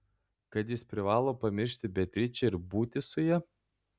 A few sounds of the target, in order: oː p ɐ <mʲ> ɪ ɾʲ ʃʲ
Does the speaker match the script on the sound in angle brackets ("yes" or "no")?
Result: yes